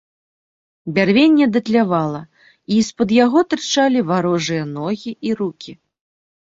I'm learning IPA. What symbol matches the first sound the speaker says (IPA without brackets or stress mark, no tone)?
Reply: bʲ